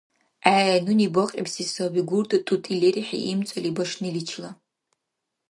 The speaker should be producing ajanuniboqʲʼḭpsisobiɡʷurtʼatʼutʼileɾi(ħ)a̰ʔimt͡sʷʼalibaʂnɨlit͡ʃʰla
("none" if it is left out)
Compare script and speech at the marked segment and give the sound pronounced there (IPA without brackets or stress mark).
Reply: ħ